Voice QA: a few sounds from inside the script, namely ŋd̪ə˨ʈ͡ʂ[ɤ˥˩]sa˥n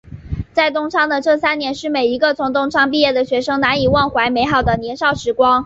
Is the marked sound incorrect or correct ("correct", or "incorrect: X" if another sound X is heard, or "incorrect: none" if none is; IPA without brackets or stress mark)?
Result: correct